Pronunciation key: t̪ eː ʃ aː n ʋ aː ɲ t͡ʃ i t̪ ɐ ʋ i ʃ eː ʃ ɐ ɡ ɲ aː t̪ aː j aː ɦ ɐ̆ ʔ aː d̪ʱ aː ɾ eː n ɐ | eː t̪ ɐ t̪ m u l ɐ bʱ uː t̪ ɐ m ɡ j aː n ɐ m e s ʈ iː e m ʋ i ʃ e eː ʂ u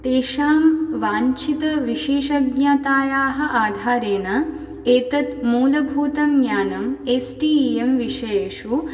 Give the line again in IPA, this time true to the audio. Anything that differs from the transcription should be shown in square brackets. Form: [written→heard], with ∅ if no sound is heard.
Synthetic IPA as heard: t̪ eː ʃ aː [n→m] ʋ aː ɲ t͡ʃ i t̪ ɐ ʋ i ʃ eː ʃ ɐ ɡ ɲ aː t̪ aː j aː ɦ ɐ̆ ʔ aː d̪ʱ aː ɾ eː n ɐ | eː t̪ ɐ t̪ m [u→uː] l ɐ bʱ uː t̪ ɐ m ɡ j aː n ɐ m e s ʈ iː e m ʋ i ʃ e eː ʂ u